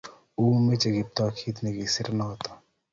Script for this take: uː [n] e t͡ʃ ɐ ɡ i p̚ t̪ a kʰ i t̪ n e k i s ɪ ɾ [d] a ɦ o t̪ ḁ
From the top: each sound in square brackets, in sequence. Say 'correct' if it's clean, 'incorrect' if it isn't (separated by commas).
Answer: incorrect, incorrect